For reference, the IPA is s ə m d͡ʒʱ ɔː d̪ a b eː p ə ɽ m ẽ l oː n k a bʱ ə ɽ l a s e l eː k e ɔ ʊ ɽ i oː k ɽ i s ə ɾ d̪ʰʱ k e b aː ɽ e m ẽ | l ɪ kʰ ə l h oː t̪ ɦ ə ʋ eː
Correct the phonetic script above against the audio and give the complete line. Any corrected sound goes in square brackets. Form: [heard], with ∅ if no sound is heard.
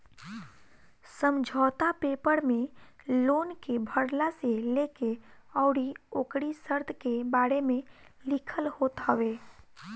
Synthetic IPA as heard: s ə m d͡ʒʱ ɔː [t̪] a [p] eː p ə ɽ m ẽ l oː n k [e] bʱ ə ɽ l a s e l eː k e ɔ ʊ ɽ i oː k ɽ i s ə ɾ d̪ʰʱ k e b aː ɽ e m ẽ | l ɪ kʰ ə l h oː t̪ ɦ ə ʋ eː

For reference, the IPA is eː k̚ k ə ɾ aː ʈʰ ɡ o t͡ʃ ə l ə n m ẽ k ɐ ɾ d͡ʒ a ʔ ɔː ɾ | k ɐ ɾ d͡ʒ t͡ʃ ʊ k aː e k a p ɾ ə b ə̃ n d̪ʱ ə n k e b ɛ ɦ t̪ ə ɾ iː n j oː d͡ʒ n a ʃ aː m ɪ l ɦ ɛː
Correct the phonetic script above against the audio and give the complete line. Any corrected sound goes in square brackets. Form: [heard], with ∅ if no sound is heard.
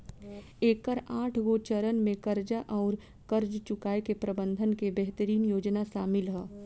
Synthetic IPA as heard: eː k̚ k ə ɾ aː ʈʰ ɡ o t͡ʃ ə [ɾ] ə n m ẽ k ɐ ɾ d͡ʒ a ʔ ɔː ɾ | k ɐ ɾ d͡ʒ t͡ʃ ʊ k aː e k [e] p ɾ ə b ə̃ n d̪ʱ ə n k e b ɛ ɦ t̪ ə ɾ iː n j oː d͡ʒ n a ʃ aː m ɪ l ɦ ɛː

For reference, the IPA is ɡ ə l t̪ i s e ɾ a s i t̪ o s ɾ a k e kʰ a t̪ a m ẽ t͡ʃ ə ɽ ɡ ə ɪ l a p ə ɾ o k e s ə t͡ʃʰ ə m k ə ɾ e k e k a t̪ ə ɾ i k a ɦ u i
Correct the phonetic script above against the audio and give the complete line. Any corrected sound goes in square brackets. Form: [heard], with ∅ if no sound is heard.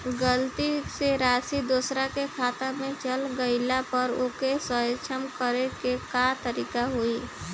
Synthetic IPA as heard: ɡ ə l t̪ i s e ɾ a s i [d̪] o s ɾ a k e kʰ a t̪ a m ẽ t͡ʃ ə [l] ɡ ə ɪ l a p ə ɾ o k e s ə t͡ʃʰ ə m k ə ɾ e k e k a t̪ ə ɾ i k a ɦ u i

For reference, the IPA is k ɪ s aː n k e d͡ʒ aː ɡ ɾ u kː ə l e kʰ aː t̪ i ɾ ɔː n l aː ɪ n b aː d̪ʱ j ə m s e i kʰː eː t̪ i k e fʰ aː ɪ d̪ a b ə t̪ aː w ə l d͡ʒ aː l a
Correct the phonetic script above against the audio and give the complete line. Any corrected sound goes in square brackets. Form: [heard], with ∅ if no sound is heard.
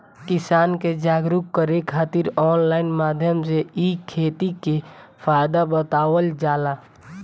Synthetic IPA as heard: k ɪ s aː n k e d͡ʒ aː ɡ ɾ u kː ə [ɾ] e kʰ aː t̪ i ɾ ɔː n l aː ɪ n [m] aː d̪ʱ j ə m s e i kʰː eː t̪ i k e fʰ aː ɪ d̪ a b ə t̪ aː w ə l d͡ʒ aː l a

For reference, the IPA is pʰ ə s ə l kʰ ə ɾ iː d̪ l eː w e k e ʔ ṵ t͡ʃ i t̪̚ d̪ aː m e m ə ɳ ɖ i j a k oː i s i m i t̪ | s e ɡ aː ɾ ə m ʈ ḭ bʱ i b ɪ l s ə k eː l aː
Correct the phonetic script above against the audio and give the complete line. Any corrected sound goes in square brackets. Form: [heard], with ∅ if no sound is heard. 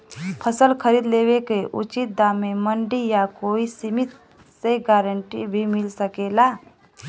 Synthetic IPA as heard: pʰ ə s ə l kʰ ə ɾ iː d̪ l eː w e k e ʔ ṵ t͡ʃ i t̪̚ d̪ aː m e m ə ɳ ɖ i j a k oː i s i m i t̪ | s e ɡ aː ɾ ə [ɳ] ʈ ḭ bʱ i [m] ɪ l s ə k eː l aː

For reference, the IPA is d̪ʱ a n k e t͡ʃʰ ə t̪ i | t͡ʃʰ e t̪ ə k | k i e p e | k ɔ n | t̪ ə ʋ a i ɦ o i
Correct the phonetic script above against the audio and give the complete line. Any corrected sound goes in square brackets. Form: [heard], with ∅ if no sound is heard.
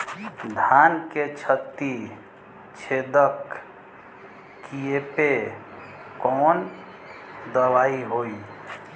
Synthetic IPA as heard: d̪ʱ a n k e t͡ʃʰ ə t̪ i | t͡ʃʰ e [d̪] ə k | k i e p e | k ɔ n | [d̪] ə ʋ a i ɦ o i

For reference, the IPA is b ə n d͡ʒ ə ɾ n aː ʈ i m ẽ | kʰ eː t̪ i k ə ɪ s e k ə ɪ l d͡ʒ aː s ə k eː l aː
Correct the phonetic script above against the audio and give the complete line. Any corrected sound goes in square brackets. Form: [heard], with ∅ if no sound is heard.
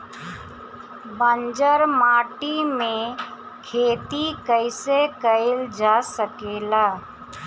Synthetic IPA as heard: b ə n d͡ʒ ə ɾ [m] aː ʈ i m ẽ | kʰ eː t̪ i k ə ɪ s e k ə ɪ l d͡ʒ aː s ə k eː l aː

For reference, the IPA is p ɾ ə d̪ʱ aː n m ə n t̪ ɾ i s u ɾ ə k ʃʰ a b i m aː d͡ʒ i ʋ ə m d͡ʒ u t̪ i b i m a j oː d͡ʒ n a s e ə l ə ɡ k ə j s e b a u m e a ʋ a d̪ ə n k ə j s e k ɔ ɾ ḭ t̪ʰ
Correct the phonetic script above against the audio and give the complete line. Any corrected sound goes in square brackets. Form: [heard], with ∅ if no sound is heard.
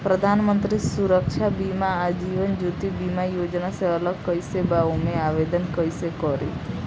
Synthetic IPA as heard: p ɾ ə d̪ʱ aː n m ə n t̪ ɾ i s u ɾ ə k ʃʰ a b i m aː d͡ʒ i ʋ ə [n] d͡ʒ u t̪ i b i m a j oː d͡ʒ n a s e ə l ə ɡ k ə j s e b a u m e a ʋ [e] d̪ ə n k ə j s e k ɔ ɾ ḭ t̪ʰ

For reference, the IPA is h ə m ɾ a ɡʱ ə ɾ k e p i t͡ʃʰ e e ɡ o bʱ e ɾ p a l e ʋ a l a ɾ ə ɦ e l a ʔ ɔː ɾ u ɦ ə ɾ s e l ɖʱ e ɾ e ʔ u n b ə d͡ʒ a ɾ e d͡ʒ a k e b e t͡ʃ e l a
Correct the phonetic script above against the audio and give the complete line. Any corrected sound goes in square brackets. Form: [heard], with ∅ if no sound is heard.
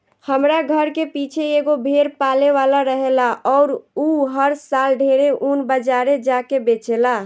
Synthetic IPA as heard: h ə m ɾ a ɡʱ ə ɾ k e p i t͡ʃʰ e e ɡ o bʱ e ɾ p a l e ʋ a l a ɾ ə ɦ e l a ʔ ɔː ɾ u ɦ ə ɾ s [a] l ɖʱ e ɾ e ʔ u n b ə d͡ʒ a ɾ e d͡ʒ a k e b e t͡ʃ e l a

